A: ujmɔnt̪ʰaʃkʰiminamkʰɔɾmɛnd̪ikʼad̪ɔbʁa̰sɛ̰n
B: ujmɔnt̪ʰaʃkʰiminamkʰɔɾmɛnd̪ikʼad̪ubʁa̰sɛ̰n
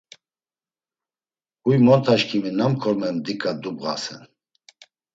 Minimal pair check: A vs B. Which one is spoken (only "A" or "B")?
B